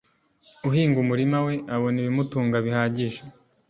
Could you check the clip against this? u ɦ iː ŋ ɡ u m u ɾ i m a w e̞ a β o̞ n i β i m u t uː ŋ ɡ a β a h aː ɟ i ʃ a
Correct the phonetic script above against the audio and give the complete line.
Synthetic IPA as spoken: u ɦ iː ŋ ɡ u m u ɾ i m a w e̞ a β o̞ n i β i m u t uː ŋ ɡ a β i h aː ɟ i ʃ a